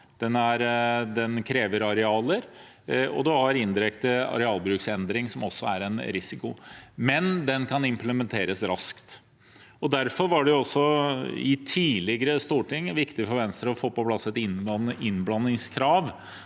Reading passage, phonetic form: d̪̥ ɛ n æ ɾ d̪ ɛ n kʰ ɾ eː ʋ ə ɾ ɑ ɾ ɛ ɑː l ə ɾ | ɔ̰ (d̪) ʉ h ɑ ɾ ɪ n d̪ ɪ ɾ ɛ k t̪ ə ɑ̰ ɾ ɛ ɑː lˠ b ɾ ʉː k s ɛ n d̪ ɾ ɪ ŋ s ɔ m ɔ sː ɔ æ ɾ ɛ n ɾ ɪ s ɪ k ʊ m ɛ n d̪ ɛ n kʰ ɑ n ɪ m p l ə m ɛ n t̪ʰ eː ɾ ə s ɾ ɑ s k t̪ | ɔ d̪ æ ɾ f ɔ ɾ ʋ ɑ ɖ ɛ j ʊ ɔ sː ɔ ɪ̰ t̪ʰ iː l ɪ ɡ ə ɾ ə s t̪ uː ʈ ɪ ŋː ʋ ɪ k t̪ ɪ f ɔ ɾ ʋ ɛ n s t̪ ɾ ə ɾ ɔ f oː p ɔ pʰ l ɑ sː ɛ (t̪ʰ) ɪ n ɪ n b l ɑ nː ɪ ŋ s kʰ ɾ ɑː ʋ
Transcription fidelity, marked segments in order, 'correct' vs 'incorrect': correct, incorrect: t̪

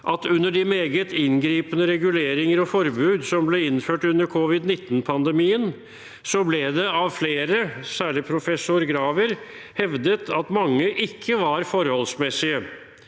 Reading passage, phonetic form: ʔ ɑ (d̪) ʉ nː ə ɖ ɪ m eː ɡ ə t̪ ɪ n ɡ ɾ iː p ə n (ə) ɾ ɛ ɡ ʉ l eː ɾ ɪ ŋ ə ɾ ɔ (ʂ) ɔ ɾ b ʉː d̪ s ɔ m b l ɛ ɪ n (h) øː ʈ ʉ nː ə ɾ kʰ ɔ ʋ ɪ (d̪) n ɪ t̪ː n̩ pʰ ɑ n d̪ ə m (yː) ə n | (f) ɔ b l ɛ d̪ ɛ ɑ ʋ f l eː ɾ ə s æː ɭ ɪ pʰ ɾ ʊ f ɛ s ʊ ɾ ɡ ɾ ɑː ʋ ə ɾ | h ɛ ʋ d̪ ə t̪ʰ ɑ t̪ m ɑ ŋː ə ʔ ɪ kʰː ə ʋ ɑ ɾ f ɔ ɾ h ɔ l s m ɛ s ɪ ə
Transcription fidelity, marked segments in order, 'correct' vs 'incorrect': incorrect: t̪, correct, incorrect: f, incorrect: f, correct, incorrect: iː, incorrect: s

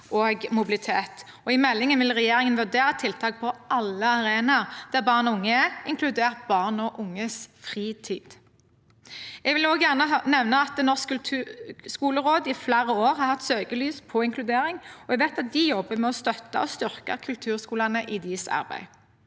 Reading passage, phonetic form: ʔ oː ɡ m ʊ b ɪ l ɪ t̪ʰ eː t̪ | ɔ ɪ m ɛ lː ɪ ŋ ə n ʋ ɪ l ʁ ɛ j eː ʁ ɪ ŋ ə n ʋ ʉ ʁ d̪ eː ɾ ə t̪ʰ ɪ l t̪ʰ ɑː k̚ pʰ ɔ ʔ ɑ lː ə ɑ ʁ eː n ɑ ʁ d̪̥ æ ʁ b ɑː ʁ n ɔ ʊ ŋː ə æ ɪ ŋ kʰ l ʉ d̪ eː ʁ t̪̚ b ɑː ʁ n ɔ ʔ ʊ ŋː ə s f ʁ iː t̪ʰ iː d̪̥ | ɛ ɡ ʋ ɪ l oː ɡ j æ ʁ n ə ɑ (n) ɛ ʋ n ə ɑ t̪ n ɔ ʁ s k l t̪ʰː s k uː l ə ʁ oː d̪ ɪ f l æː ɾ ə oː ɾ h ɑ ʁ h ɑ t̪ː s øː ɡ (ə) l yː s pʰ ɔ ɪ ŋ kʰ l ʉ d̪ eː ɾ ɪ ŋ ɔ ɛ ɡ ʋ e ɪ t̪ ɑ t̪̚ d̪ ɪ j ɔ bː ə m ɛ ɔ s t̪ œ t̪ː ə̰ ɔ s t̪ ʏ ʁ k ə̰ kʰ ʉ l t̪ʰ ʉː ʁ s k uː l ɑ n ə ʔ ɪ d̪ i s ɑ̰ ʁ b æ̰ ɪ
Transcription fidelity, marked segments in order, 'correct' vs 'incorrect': correct, correct

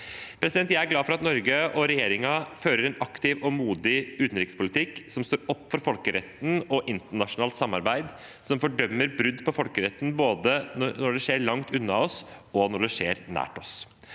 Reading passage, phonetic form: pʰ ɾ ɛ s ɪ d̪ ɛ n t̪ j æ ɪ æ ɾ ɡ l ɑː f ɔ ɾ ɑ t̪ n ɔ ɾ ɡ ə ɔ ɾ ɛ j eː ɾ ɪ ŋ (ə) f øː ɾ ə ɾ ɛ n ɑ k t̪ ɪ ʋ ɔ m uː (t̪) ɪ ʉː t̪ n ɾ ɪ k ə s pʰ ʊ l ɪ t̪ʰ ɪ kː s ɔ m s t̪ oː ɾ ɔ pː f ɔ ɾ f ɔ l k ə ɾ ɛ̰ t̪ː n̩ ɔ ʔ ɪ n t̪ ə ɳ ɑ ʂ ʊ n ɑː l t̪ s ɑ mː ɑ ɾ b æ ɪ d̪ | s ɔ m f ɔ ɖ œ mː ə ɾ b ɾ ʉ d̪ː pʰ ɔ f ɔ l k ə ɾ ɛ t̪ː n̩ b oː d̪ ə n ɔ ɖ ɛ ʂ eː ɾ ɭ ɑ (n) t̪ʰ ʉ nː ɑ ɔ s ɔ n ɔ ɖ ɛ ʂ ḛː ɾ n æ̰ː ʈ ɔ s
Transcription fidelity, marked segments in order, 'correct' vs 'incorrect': incorrect: ɑ, incorrect: d̪, incorrect: ŋ

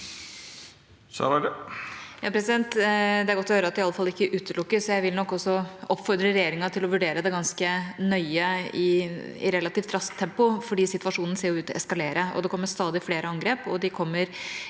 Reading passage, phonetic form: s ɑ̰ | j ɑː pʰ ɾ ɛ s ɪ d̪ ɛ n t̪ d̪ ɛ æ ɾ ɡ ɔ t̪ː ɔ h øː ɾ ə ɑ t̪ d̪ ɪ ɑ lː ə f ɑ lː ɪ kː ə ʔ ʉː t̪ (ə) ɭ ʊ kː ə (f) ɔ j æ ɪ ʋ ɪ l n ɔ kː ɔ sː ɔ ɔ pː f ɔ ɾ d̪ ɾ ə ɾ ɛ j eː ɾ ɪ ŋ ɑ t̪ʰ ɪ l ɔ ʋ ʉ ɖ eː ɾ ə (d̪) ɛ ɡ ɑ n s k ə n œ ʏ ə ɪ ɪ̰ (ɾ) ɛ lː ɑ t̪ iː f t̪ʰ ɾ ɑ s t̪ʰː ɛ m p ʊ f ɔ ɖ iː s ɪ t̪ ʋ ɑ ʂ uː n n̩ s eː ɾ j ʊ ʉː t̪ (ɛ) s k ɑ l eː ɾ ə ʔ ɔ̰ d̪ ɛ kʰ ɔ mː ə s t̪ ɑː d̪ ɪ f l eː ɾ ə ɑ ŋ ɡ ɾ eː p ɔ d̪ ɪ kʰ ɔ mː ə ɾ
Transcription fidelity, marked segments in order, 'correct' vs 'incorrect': correct, incorrect: s, correct, correct, correct

